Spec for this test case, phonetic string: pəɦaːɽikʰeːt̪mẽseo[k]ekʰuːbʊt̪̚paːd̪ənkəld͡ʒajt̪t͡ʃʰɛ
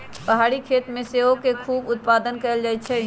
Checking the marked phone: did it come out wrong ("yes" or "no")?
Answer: no